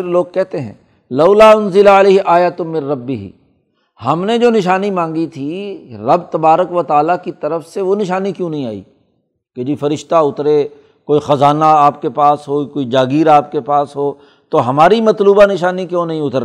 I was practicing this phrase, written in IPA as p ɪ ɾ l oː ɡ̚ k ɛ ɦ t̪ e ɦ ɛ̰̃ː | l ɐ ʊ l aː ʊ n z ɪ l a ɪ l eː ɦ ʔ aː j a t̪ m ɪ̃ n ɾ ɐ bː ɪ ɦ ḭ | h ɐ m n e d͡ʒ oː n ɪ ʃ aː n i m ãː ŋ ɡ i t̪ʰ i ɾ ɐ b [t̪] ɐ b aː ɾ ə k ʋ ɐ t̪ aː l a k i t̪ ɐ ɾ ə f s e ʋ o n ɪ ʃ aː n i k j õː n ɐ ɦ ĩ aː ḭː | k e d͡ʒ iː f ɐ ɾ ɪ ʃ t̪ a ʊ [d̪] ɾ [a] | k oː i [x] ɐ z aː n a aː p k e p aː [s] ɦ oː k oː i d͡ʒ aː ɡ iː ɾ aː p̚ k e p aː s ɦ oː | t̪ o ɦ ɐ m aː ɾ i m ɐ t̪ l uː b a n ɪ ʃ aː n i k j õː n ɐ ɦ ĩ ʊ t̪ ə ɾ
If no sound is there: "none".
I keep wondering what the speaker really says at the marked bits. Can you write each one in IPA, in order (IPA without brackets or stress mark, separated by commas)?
t̪, t̪, e, x, s